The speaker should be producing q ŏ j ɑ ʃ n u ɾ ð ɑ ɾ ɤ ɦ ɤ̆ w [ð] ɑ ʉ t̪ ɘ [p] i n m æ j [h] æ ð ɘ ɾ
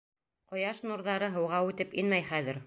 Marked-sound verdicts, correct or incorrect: incorrect: ʁ, correct, incorrect: χ

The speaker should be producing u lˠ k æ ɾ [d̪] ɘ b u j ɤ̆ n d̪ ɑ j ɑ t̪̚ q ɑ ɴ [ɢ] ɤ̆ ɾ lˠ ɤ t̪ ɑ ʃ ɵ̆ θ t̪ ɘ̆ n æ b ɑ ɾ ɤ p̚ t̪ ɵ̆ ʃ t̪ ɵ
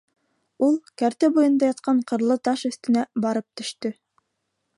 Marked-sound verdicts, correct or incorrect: incorrect: t̪, incorrect: q

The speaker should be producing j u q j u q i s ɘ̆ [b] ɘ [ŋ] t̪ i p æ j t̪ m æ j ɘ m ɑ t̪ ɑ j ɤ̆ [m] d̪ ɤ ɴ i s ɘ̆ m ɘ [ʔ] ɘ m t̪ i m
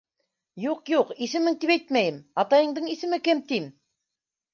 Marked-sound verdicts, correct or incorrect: incorrect: m, correct, incorrect: ɴ, incorrect: k

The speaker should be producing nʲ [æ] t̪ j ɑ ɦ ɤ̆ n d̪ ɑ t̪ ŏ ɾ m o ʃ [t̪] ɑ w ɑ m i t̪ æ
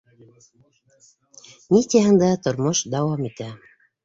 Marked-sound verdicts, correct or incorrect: incorrect: i, incorrect: d̪

